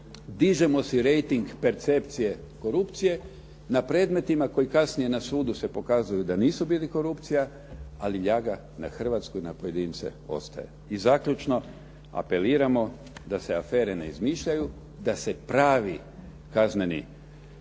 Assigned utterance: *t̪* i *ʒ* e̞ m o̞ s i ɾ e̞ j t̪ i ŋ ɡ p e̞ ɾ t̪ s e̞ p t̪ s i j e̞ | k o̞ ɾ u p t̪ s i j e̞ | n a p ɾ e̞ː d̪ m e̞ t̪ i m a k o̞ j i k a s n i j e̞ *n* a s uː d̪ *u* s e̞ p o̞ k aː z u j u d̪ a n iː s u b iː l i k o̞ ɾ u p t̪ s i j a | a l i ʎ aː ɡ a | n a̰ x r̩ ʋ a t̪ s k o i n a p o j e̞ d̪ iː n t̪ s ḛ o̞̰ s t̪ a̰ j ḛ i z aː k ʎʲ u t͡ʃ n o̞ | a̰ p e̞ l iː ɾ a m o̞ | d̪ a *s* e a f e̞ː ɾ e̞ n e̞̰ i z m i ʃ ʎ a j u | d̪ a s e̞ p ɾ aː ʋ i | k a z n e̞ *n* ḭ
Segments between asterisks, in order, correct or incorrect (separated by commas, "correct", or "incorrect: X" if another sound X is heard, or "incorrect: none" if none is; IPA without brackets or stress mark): incorrect: d̪, correct, correct, correct, correct, correct